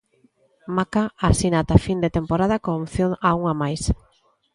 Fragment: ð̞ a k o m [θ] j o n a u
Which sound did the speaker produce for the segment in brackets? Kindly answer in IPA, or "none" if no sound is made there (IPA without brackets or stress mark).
θ